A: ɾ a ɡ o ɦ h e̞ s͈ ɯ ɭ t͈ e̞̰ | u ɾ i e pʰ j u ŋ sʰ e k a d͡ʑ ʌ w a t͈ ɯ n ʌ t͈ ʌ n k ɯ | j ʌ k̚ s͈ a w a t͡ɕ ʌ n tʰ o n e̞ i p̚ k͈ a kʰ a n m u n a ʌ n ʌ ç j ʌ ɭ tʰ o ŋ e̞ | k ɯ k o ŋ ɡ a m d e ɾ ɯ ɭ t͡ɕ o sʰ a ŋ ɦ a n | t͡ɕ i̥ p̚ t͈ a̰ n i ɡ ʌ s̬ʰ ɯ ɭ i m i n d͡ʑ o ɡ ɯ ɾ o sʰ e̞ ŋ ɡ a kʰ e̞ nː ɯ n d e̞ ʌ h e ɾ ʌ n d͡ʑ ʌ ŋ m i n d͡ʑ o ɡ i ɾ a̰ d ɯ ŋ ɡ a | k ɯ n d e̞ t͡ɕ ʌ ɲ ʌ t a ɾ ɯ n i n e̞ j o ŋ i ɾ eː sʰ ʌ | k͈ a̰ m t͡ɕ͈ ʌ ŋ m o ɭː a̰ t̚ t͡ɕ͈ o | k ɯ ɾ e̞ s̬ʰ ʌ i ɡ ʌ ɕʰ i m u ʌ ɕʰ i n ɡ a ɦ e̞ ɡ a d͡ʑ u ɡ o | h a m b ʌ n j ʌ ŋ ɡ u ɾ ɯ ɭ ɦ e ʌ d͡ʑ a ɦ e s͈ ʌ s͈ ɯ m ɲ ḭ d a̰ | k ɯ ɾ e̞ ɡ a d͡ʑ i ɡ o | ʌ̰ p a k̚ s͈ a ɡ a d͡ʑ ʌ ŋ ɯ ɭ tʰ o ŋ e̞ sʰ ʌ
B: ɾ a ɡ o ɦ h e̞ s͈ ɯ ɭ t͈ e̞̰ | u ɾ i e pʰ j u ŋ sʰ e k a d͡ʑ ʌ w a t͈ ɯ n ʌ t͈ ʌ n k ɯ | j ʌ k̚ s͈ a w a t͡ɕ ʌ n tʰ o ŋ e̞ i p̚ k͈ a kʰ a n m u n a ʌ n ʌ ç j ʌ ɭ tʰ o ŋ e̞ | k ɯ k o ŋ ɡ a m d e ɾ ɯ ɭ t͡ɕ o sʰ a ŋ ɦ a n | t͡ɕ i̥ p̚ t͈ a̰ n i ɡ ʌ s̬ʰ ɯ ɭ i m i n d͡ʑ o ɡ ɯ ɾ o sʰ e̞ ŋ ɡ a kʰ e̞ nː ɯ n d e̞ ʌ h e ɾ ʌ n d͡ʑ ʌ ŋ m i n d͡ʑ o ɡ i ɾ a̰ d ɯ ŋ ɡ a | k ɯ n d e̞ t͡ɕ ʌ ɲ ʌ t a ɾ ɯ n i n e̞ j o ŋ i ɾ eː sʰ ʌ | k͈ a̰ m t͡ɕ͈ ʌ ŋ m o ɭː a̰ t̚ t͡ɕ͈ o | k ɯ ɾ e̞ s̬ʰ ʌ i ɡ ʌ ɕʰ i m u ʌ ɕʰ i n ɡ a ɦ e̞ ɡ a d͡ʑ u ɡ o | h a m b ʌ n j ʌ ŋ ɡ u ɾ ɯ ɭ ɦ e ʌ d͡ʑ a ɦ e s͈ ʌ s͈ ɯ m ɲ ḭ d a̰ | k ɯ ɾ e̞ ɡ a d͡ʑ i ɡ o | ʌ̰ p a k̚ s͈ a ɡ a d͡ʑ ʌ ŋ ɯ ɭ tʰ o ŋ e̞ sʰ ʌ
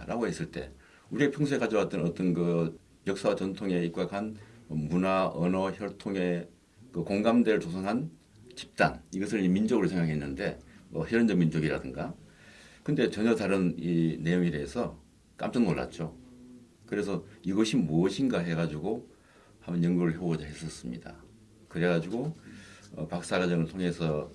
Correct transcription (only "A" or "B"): B